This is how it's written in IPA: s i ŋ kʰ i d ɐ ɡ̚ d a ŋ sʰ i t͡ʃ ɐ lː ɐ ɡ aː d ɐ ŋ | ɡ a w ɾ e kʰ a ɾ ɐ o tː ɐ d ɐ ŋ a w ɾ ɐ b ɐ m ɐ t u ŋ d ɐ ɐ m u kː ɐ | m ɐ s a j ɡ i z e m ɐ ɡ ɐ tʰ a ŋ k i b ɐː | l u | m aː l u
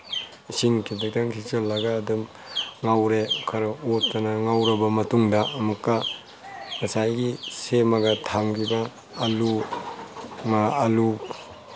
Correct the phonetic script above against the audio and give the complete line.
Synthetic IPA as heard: s i ŋ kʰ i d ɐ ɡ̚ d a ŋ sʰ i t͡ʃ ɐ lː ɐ ɡ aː d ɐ m | ŋ a w ɾ e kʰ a ɾ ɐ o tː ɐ n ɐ ŋ a w ɾ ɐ b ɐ m ɐ t u ŋ d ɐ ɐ m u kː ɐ | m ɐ s a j ɡ i s e m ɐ ɡ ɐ tʰ a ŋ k i b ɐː | l u | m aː l u